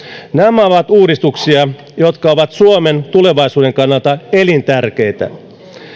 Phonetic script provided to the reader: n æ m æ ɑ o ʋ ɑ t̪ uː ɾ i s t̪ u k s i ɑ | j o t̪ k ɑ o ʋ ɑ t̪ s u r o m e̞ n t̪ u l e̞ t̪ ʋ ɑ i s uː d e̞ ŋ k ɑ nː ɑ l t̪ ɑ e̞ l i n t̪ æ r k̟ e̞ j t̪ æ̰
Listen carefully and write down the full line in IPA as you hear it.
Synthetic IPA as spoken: n æ m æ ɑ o ʋ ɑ t̪ uː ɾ i s t̪ u k s i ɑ | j o t̪ k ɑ o ʋ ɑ t̪ s u o m e̞ n t̪ u l e̞ ʋ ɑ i s uː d e̞ ŋ k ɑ nː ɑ l t̪ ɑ e̞ l i n t̪ æ r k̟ e̞ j t̪ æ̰

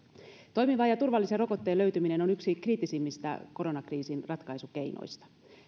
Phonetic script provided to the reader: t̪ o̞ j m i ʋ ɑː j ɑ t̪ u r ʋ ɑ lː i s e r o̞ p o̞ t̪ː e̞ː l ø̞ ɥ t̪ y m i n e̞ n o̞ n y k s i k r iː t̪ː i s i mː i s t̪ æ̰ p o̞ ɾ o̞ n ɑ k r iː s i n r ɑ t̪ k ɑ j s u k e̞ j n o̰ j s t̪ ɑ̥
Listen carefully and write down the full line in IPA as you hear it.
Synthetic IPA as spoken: t̪ o̞ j m i ʋ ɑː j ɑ t̪ u r ʋ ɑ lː i s e r o̞ k o̞ t̪ː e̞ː l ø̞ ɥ t̪ y m i n e̞ n o̞ n y k s i k r iː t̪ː i s i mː i s t̪ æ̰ k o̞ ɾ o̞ n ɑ k r iː s i n r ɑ t̪ k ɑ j s u k e̞ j n o̰ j s t̪ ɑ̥

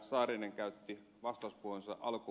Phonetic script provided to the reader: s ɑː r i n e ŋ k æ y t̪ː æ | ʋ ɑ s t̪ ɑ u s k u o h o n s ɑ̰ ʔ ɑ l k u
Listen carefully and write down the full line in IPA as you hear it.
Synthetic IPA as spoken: s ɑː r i n e ŋ k æ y t̪ː i | ʋ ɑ s t̪ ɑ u s p u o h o n s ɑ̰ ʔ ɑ l k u

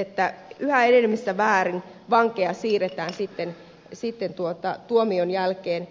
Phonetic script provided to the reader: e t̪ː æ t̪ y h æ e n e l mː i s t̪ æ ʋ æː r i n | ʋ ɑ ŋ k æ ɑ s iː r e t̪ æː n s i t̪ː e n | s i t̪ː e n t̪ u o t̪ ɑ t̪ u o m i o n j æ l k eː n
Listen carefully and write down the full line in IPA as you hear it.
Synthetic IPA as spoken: e t̪ː æ y h æ e n e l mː i s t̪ æ ʋ æː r i n | ʋ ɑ ŋ k e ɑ s iː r e t̪ æː n s i t̪ː e n | s i t̪ː e n t̪ u o t̪ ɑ t̪ u o m i o n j æ l k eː n

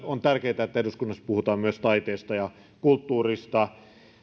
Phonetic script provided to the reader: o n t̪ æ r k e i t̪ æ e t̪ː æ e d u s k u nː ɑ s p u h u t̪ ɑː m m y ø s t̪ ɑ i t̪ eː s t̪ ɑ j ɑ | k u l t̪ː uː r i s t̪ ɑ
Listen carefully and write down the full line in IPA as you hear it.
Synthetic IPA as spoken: o n t̪ æ r k e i t̪ æ e t̪ː æ e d u s k u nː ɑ s p u h u t̪ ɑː m m y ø s t̪ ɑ i t̪ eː s t̪ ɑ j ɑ | k u l t̪ː uː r i s t̪ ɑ

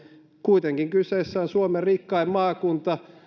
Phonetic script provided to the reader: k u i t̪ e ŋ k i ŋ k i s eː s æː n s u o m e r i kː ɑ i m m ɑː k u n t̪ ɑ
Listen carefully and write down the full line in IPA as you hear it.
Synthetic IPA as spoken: k u i t̪ e ŋ k i ŋ k y s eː sː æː n s u o m e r i kː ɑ i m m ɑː k u n t̪ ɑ

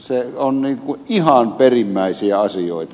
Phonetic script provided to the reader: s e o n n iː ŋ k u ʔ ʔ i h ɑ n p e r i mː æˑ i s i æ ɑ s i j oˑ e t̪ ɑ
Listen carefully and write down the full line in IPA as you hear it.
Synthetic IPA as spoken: s e o n n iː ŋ k u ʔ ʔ i h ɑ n p e r i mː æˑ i s i æ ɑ s i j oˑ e t̪ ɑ

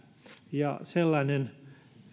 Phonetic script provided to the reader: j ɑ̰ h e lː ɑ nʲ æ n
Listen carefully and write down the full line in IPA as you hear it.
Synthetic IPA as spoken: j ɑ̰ s e lː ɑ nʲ e n

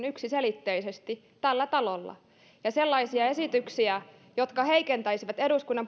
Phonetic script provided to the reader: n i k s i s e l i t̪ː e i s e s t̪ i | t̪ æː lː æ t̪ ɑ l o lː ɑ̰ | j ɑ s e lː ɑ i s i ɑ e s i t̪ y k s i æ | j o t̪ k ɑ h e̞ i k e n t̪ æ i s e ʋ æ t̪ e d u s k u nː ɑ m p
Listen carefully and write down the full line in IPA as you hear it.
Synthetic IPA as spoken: n y k s i s e l i t̪ː e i s e s t̪ i | t̪ æ lː æ t̪ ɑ l o lː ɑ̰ | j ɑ s e lː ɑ i s i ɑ e s i t̪ y k s i æ | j o t̪ k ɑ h e̞ i k e n t̪ æ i s i ʋ æ t̪ e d u s k u nː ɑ m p

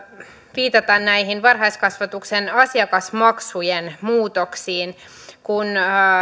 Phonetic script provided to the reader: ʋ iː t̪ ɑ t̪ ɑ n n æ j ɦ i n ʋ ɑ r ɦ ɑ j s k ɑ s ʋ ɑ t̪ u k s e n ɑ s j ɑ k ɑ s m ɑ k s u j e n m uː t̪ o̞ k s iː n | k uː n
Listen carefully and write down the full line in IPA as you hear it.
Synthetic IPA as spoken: ʋ iː t̪ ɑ t̪ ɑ n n æ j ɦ i n ʋ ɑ r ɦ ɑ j s k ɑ s ʋ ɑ t̪ u k s e n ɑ s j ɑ k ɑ s m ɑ k s u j e n m uː t̪ o̞ k s iː n | k u n

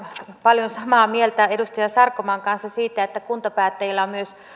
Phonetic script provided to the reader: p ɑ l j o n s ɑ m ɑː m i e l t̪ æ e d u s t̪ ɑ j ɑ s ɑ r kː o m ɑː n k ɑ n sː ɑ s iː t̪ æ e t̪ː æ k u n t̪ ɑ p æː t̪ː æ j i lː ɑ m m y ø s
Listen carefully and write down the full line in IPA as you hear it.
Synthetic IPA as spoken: p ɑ l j o n s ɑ m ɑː m i e l t̪ æ e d u s t̪ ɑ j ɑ s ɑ r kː o m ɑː ŋ k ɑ n sː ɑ s iː t̪ æ e t̪ː æ k u n t̪ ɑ p æː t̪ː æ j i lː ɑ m m y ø s

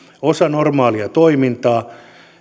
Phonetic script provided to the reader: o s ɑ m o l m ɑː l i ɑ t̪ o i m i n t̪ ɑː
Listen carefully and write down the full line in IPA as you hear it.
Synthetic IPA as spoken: o s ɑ n o r m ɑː l i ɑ t̪ o i m i n t̪ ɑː

